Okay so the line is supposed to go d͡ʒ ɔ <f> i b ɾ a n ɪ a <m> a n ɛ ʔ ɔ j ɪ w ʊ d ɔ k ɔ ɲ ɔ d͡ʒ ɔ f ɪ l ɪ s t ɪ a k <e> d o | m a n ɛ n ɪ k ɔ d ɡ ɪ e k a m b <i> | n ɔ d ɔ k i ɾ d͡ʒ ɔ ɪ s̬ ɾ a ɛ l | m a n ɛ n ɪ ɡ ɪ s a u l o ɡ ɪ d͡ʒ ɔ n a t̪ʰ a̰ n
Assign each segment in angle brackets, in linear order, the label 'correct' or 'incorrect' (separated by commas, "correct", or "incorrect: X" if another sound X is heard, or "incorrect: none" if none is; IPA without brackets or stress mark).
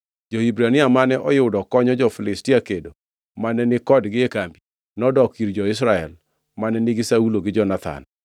incorrect: h, correct, correct, correct